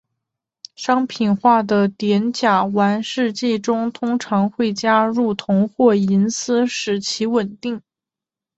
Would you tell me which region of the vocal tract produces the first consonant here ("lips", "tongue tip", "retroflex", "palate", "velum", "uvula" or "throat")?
retroflex